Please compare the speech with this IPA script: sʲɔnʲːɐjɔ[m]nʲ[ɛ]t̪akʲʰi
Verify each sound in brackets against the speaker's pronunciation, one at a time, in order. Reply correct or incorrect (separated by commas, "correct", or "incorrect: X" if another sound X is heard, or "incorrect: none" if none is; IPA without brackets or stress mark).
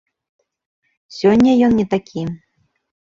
incorrect: n, correct